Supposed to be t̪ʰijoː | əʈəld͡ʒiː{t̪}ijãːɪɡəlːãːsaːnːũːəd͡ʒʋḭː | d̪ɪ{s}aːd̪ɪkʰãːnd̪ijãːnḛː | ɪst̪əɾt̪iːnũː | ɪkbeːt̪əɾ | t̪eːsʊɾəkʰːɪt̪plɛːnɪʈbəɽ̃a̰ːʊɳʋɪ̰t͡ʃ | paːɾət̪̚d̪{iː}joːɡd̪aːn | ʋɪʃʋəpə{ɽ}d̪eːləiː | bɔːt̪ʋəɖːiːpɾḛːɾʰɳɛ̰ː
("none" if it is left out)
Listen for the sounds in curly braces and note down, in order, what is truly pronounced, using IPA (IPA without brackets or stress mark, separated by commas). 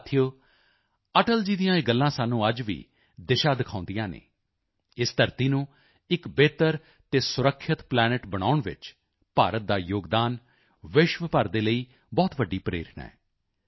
d̪, ʃ, aː, ɾ